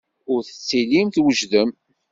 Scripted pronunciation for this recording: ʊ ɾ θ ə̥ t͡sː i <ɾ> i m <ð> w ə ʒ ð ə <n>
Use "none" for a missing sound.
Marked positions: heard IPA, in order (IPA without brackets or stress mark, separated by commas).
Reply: l, θ, m